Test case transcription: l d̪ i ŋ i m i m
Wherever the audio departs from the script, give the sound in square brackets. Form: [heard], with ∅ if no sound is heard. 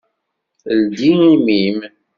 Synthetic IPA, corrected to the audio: l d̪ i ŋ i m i m